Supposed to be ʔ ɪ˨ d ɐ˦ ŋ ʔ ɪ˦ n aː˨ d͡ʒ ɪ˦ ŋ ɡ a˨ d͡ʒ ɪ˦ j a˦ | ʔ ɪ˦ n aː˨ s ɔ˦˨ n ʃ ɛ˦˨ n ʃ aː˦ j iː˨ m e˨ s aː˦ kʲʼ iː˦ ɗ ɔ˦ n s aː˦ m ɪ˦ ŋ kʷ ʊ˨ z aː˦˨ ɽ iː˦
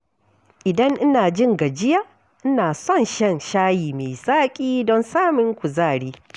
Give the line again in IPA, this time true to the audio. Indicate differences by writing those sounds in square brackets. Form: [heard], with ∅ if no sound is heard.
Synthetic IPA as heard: ʔ ɪ˨ d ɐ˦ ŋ ʔ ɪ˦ n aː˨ d͡ʒ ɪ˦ ŋ ɡ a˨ d͡ʒ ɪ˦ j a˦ | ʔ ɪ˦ n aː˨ s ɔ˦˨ n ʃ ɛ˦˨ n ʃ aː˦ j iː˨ m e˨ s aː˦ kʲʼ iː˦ [d] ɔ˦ n s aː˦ m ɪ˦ ŋ kʷ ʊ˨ z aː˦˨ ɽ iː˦

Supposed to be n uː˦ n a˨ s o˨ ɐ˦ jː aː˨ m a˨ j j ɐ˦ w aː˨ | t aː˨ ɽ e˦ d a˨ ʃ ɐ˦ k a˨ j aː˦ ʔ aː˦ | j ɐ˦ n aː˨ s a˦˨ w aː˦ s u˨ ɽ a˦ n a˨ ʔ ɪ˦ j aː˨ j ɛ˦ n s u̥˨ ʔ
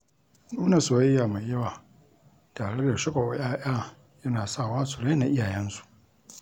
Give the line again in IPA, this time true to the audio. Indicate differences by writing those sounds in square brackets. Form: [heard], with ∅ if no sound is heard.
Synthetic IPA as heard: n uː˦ n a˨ s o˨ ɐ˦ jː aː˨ m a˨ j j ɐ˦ w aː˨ | t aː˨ ɽ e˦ d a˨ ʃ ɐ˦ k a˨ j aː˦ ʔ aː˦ | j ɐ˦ n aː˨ s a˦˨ w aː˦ s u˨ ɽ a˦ n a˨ ʔ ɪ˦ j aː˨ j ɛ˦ n s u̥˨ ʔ

